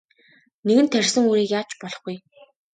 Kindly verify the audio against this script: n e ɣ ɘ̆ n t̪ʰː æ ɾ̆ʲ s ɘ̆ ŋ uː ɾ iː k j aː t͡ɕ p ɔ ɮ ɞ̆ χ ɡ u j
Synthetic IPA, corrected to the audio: n e ɣ ɘ̆ n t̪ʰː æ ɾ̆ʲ s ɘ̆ ŋ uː ɾ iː k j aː t͡ɕ p ɔ ɮ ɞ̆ χ ɡ u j